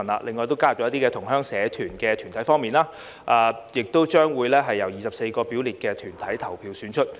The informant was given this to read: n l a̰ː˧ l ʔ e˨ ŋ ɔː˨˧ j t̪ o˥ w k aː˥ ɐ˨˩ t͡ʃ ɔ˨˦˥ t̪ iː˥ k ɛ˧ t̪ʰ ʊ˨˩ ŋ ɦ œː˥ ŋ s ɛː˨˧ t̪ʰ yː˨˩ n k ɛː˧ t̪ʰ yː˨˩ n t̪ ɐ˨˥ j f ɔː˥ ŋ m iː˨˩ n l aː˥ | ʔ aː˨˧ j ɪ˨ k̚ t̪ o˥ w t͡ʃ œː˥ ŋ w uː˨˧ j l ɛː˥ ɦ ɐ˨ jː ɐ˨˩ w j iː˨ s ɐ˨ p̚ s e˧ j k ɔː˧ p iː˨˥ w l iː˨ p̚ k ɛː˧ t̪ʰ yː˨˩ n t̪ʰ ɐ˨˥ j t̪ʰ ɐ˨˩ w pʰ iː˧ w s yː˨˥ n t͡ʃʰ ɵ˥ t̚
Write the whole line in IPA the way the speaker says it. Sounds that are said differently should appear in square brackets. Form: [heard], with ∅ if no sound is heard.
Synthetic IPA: n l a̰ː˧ l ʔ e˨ ŋ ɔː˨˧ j t̪ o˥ w k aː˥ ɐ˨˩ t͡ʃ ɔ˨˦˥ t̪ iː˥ k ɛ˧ t̪ʰ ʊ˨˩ ŋ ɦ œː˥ ŋ s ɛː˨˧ t̪ʰ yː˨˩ n k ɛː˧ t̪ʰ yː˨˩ n [t̪ʰ] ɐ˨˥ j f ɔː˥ ŋ m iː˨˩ n l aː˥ | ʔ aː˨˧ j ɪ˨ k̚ t̪ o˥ w t͡ʃ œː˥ ŋ w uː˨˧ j l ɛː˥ ɦ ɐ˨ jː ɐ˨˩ w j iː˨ s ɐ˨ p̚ s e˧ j k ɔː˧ p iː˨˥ w l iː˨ [t̚] k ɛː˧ t̪ʰ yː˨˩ n t̪ʰ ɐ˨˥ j t̪ʰ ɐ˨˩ w pʰ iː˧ w s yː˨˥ n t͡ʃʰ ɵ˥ t̚

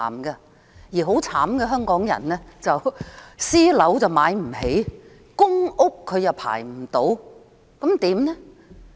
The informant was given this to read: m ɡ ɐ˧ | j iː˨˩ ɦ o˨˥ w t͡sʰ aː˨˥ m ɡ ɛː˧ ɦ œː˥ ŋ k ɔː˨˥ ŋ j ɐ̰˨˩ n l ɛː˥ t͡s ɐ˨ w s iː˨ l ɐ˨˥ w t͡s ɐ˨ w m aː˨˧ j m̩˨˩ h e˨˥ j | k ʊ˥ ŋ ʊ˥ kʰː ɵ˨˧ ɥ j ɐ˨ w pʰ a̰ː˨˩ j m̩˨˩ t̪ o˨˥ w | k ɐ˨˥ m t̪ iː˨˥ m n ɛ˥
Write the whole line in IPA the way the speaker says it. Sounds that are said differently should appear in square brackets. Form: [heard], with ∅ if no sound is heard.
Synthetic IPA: m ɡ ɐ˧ | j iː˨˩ ɦ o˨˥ w t͡sʰ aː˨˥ m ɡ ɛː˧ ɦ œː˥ ŋ k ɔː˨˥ ŋ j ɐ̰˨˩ n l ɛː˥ t͡s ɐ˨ w s [iː˥] l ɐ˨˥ w t͡s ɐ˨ w m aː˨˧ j m̩˨˩ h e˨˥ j | k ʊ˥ ŋ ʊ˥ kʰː ɵ˨˧ ɥ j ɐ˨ w pʰ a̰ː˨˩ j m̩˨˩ t̪ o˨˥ w | k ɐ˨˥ m t̪ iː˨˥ m n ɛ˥

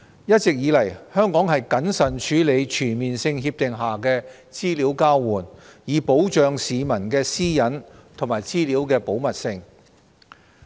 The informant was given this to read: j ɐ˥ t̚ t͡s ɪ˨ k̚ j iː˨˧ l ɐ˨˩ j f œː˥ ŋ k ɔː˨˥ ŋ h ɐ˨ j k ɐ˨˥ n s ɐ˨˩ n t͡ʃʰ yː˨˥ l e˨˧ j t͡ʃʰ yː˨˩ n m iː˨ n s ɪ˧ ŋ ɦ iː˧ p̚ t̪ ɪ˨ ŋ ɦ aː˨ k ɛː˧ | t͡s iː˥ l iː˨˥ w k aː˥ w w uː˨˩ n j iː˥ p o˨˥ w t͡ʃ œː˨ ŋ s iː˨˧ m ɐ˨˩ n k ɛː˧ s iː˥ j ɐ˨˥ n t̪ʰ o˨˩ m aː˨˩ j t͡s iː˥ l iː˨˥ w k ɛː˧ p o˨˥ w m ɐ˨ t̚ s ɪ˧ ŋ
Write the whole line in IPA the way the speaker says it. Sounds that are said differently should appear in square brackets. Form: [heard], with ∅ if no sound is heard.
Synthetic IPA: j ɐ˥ t̚ t͡s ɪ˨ k̚ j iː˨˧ l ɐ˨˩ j [h] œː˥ ŋ k ɔː˨˥ ŋ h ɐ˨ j k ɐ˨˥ n s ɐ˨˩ n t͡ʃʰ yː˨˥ l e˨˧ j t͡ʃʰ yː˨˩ n m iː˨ n s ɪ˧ ŋ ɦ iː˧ p̚ t̪ ɪ˨ ŋ ɦ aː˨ k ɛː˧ | t͡s iː˥ l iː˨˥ w k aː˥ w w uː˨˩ n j [iː˨˧] p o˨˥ w t͡ʃ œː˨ ŋ s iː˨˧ m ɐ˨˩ n k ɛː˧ s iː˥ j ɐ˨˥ n t̪ʰ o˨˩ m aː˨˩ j t͡s iː˥ l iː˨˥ w k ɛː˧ p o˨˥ w m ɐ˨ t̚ s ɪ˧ ŋ

